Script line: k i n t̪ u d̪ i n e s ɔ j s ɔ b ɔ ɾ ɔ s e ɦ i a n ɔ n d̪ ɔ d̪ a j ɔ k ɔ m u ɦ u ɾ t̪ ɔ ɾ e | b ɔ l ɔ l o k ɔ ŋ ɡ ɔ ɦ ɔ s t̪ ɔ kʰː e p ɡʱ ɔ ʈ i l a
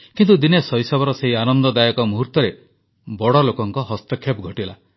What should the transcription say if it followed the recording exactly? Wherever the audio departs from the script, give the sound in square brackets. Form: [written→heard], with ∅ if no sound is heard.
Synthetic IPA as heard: k i n t̪ u d̪ i n e s ɔ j s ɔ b ɔ ɾ ɔ s e ɦ i a n ɔ n d̪ ɔ d̪ a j ɔ k ɔ m u ɦ u ɾ t̪ ɔ ɾ e | b ɔ [l→ɽ] ɔ l o k ɔ ŋ [ɡ→k] ɔ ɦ ɔ s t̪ ɔ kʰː e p ɡʱ ɔ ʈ i l a